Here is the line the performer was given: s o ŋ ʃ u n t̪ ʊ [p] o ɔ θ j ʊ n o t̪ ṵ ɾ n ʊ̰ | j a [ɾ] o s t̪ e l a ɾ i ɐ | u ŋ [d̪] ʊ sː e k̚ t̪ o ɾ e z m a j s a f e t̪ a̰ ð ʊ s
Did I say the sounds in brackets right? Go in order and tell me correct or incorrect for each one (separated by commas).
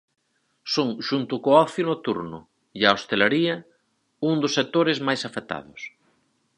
incorrect, incorrect, correct